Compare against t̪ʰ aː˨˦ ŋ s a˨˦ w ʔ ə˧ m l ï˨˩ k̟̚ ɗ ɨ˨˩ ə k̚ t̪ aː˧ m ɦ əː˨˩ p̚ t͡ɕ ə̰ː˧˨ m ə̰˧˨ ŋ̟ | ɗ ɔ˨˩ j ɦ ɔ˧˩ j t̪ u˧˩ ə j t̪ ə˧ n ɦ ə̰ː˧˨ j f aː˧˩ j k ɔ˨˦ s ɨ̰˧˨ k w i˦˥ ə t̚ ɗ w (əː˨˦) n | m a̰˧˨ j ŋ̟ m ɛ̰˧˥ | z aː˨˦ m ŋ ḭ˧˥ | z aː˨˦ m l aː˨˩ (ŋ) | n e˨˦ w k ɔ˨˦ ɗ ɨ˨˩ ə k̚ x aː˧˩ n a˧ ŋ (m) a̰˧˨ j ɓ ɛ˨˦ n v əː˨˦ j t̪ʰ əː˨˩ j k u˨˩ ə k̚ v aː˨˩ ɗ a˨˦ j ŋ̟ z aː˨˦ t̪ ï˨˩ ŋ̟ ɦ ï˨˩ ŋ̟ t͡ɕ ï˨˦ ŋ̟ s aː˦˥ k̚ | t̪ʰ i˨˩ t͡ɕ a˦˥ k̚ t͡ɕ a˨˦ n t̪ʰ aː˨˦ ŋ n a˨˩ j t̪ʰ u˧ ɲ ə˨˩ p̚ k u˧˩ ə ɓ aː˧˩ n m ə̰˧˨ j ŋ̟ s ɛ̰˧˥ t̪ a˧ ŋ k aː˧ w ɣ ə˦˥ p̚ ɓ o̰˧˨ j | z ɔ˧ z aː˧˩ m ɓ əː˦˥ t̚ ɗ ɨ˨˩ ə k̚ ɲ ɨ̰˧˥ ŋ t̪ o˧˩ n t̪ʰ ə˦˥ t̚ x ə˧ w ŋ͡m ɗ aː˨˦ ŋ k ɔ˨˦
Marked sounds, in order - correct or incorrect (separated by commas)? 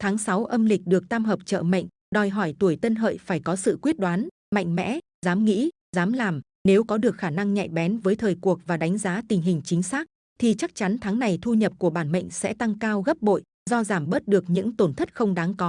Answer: incorrect, incorrect, incorrect